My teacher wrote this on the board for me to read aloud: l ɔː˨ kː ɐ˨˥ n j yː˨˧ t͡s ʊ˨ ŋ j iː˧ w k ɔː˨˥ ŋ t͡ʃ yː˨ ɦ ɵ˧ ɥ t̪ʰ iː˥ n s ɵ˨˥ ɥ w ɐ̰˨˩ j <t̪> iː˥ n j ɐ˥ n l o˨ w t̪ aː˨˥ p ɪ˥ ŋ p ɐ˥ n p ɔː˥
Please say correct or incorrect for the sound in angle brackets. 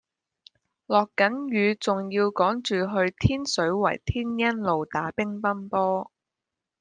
incorrect